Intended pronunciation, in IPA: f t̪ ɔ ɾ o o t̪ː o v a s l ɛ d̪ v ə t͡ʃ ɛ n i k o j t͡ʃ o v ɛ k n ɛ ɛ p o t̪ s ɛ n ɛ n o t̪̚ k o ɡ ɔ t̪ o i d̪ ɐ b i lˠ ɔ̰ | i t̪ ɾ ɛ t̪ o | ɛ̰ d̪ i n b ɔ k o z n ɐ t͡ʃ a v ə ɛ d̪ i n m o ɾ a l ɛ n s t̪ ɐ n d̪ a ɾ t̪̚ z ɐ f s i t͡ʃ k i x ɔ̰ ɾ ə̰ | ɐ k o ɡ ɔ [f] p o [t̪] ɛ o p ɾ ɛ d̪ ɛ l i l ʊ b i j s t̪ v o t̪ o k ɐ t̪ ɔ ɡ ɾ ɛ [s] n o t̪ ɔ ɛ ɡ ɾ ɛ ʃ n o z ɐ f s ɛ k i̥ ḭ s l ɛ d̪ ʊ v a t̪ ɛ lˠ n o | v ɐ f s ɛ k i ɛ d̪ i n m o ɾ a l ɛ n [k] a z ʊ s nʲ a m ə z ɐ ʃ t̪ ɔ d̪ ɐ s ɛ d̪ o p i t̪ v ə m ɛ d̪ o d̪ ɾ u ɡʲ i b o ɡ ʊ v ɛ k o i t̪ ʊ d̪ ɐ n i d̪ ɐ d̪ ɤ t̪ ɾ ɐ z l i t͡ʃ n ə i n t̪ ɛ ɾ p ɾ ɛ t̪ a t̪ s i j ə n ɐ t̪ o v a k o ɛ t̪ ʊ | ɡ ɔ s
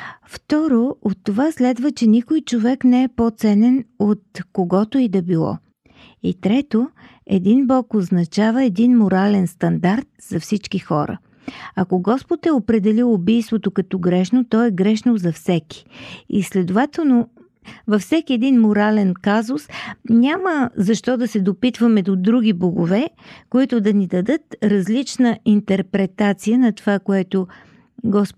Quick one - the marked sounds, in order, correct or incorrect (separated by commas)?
incorrect, correct, incorrect, correct